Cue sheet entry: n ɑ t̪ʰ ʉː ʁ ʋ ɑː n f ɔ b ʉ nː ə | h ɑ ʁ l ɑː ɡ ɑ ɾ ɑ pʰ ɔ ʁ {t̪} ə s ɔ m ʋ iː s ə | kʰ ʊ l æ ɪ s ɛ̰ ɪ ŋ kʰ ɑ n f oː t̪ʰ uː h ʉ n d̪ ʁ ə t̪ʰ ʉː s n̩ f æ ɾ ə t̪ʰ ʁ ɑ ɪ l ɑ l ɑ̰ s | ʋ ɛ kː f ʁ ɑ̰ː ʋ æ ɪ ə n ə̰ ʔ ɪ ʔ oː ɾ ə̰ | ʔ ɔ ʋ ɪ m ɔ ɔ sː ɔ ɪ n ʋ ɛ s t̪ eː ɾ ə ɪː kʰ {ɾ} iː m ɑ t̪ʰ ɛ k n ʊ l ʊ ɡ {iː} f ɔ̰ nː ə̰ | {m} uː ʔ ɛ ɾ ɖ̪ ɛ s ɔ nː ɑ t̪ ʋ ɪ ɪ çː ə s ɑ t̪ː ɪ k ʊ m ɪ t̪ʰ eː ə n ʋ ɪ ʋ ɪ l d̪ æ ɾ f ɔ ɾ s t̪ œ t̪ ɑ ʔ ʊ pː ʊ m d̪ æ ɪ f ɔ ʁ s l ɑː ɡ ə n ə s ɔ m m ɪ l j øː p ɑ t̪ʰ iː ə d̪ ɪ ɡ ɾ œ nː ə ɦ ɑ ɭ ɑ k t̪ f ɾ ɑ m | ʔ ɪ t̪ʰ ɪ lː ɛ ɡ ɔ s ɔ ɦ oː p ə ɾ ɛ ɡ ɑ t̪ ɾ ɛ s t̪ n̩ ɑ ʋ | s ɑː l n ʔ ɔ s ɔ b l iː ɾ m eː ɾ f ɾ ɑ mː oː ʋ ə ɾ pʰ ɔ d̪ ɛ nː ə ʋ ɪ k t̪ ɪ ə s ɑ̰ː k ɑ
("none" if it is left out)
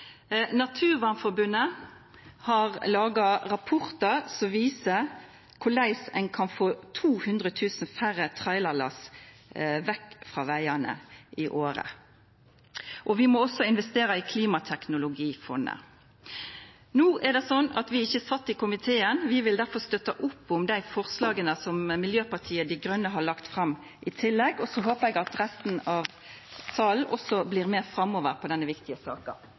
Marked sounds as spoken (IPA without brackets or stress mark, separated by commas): t̪, l, iː, n